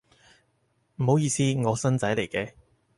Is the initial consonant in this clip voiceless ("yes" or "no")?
no